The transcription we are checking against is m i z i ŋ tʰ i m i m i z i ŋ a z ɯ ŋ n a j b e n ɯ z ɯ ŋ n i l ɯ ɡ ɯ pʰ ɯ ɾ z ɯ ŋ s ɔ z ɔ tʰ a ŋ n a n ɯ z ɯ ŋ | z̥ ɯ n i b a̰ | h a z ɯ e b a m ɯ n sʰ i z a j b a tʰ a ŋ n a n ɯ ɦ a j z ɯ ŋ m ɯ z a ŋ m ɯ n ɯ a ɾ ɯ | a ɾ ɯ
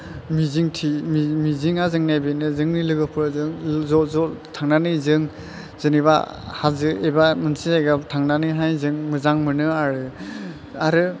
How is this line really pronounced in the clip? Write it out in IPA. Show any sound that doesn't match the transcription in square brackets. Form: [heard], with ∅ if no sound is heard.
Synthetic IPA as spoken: m i z i ŋ tʰ i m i m i z i ŋ a z ɯ ŋ n a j b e n ɯ z ɯ ŋ n i l ɯ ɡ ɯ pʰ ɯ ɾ z ɯ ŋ [z] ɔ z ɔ tʰ a ŋ n a n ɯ z ɯ ŋ | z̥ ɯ n i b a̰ | h a z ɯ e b a m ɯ n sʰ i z a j [ɡ] a tʰ a ŋ n a n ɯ ɦ a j z ɯ ŋ m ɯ z a ŋ m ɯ n ɯ a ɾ ɯ | a ɾ ɯ